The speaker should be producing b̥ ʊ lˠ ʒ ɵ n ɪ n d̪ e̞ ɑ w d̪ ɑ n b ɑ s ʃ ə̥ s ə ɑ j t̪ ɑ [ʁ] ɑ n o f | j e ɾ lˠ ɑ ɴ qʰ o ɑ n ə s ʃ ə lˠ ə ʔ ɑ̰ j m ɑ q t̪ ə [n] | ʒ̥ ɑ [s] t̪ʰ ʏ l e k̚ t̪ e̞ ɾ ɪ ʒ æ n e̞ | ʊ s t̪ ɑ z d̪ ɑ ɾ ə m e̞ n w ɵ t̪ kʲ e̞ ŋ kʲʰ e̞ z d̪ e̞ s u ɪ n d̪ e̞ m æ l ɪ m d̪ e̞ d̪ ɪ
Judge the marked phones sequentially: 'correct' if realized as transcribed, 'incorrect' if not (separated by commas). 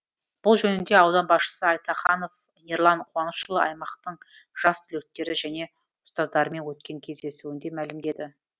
incorrect, incorrect, correct